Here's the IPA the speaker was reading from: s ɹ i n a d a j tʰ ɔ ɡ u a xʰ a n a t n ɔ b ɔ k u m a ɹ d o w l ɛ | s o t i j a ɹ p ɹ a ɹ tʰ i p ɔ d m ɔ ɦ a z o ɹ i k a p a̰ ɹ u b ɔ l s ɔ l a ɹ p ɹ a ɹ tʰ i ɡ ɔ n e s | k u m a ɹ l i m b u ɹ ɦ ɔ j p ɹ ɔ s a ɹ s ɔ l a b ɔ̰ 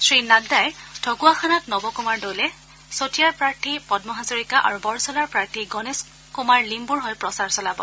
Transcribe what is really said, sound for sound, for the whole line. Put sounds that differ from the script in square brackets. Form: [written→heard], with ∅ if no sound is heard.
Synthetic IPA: s ɹ i n a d a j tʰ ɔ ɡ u a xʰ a n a t n ɔ b ɔ k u m a ɹ d o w l ɛ | s o t i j a ɹ p ɹ a ɹ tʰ i p ɔ d m ɔ ɦ a z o ɹ i k a [p→ʔ] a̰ ɹ u b ɔ [l→ɹ] s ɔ l a ɹ p ɹ a ɹ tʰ i ɡ ɔ n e s | k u m a ɹ l i m b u ɹ ɦ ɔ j p ɹ ɔ s a ɹ s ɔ l a b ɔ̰